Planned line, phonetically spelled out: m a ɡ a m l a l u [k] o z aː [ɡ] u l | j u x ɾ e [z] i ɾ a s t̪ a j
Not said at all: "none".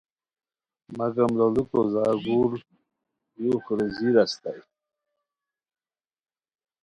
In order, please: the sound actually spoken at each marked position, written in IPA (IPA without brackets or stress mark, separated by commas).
k, ɡ, z